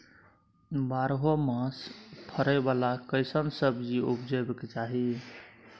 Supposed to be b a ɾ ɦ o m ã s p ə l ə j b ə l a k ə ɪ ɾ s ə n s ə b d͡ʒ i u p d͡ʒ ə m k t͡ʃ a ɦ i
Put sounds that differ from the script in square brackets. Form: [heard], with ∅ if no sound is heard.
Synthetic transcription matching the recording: b a ɾ ɦ o m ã s [pʰ] ə [ɾ] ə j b [a] l a k ə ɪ [∅] s ə n s ə b d͡ʒ i u p d͡ʒ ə [b] k t͡ʃ a ɦ i